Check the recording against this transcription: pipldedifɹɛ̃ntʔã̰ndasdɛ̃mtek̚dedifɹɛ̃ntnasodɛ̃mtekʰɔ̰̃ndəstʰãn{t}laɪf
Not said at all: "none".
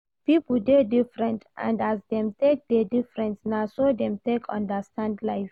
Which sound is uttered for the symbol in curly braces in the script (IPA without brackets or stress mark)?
d